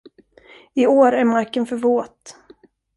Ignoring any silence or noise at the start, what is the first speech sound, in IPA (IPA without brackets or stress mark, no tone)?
ɪ